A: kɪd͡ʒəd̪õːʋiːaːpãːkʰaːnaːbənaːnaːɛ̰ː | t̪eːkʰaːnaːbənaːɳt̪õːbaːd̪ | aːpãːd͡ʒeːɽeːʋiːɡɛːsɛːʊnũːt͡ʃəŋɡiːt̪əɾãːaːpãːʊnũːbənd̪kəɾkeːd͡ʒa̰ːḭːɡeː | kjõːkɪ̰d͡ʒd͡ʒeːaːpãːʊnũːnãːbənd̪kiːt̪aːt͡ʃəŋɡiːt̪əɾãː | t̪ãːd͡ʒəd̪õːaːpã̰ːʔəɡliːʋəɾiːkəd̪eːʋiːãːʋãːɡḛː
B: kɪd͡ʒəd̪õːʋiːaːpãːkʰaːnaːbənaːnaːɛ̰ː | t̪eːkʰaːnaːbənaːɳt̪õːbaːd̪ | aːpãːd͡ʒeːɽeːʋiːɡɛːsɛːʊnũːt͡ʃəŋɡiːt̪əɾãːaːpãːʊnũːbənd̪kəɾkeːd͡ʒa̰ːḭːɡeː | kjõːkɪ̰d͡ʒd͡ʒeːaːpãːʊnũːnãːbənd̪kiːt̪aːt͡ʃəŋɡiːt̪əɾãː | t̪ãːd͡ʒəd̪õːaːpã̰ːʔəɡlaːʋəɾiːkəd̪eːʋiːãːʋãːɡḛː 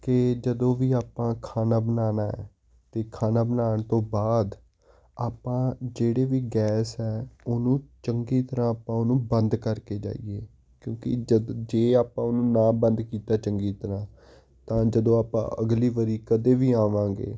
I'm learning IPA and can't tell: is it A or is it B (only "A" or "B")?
A